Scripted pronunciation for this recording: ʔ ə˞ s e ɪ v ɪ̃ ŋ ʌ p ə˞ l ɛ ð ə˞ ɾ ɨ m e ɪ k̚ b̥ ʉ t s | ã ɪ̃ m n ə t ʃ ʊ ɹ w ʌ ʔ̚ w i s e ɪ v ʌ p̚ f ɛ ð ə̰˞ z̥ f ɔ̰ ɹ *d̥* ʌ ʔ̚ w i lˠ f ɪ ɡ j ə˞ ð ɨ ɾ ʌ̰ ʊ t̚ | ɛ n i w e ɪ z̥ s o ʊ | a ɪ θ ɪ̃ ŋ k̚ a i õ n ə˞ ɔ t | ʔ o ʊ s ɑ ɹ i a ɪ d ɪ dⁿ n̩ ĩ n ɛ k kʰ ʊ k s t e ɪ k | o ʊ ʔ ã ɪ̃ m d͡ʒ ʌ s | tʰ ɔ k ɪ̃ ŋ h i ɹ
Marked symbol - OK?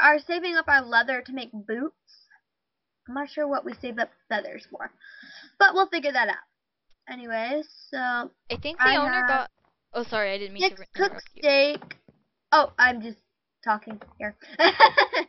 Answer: no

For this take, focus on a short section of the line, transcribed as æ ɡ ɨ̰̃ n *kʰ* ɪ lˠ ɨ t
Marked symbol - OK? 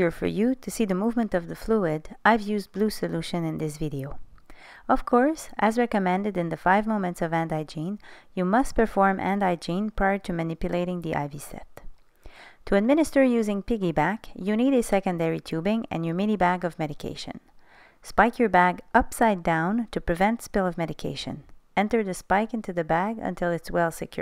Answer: no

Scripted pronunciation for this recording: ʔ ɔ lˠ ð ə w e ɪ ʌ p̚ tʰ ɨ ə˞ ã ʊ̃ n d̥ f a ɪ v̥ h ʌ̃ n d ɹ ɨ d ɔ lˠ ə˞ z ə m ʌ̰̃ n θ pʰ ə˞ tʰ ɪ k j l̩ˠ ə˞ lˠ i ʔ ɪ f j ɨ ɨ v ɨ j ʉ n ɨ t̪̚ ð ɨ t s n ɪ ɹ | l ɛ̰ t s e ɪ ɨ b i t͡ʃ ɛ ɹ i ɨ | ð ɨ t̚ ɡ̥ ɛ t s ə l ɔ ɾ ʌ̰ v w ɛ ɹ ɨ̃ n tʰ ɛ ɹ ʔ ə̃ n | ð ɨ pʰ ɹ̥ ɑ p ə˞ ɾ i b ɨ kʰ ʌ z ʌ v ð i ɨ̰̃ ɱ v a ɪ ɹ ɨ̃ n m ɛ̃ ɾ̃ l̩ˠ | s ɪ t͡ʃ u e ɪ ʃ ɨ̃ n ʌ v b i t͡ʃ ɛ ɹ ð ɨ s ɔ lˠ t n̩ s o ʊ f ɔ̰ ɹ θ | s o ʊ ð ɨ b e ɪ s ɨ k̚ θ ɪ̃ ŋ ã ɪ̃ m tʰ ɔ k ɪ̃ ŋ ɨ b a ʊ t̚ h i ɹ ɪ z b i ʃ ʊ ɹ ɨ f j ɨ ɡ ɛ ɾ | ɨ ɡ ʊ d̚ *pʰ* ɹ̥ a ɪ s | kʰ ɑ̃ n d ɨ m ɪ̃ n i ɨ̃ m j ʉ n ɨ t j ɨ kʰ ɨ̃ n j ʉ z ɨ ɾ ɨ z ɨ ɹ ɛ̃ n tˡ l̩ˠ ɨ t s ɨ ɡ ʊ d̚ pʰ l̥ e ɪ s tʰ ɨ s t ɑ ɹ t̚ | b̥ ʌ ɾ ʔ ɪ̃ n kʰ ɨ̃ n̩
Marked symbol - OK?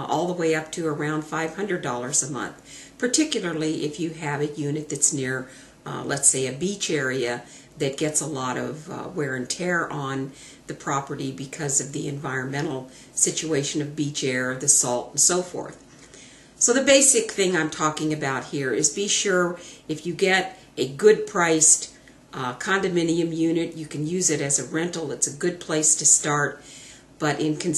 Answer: yes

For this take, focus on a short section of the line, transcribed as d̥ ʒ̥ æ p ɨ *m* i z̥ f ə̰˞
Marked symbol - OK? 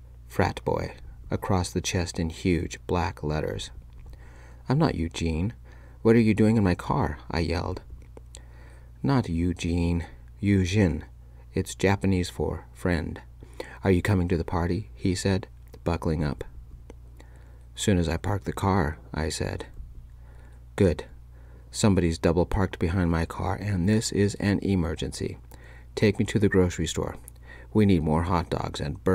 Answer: no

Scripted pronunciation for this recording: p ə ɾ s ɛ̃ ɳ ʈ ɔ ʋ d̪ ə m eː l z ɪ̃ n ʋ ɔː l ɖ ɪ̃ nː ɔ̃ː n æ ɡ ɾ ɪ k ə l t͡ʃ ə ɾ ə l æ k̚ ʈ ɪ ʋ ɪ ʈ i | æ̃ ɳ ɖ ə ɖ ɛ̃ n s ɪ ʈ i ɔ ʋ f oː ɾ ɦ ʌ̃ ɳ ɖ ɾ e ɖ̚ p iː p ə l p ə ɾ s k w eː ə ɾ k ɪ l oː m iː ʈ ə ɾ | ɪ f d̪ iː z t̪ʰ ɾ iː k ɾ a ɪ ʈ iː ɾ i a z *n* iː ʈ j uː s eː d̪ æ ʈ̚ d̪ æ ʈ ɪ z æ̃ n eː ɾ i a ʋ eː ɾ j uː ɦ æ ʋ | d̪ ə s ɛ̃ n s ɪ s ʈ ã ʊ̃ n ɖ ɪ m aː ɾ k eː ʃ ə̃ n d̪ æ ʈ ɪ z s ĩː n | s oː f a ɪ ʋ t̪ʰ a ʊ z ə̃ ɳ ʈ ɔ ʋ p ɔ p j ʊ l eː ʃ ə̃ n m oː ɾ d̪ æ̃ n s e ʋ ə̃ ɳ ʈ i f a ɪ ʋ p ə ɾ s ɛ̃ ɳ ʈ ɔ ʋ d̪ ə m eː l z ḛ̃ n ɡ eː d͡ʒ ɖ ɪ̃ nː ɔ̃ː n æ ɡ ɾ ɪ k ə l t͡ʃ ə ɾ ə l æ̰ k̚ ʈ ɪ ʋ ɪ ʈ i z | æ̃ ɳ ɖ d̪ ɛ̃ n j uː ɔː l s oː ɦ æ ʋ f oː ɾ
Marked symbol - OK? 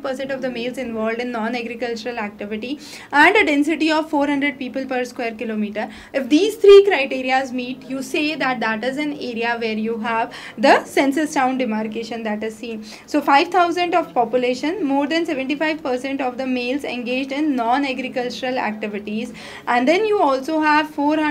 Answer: no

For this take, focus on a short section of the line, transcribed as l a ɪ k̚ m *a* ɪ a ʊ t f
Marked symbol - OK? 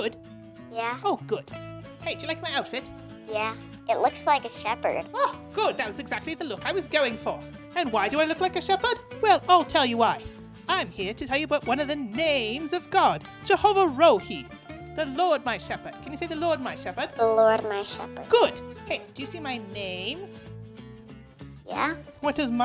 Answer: yes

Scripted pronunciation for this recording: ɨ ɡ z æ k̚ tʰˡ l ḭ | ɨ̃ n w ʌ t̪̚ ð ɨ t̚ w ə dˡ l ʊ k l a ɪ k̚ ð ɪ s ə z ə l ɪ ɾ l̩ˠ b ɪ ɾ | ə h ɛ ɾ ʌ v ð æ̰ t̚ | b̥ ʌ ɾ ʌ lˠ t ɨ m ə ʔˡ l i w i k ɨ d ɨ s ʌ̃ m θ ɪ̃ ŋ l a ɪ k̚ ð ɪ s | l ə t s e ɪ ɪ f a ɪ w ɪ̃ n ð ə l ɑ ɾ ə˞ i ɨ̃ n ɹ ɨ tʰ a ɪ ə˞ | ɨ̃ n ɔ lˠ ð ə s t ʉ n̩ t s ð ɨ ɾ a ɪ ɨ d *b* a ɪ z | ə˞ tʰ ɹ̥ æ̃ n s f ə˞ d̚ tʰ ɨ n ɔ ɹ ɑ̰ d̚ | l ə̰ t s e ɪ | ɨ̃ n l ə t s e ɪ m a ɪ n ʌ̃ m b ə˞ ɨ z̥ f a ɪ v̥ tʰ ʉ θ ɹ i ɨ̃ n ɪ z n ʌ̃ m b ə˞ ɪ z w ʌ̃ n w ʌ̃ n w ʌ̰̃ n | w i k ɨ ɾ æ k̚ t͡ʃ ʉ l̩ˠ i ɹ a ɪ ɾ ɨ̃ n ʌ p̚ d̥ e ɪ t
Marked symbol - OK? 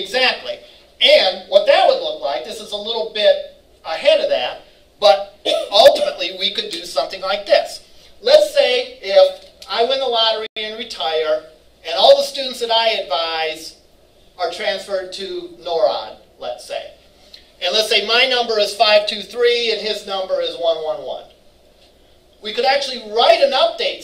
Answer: no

